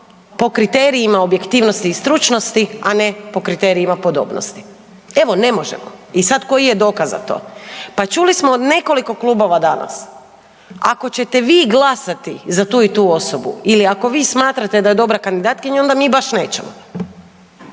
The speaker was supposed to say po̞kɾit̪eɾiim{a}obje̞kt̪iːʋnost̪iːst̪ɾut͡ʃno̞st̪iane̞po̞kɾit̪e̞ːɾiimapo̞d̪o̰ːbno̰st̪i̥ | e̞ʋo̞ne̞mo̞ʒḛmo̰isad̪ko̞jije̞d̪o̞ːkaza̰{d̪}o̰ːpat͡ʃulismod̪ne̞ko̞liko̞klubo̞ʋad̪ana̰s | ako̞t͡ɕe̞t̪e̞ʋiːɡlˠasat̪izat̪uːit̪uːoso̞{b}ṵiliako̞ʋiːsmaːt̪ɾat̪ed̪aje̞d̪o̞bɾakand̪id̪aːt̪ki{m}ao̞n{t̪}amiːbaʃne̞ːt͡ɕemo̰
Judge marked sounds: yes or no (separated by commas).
yes, no, yes, no, no